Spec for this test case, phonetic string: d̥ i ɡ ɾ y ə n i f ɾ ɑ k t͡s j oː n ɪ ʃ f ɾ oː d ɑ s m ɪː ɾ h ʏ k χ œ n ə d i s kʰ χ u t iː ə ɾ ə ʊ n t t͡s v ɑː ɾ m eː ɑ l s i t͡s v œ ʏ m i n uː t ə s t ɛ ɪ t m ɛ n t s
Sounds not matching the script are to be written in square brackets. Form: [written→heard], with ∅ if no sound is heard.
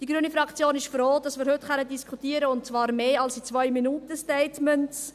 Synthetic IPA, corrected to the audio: d̥ i ɡ ɾ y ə n i f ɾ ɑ k t͡s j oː n ɪ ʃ f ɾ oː d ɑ s m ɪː ɾ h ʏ [k→t] χ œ n ə d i s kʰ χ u t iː ə ɾ ə ʊ n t t͡s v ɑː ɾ m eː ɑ l s i t͡s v œ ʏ m i n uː t ə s t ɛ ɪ t m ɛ n t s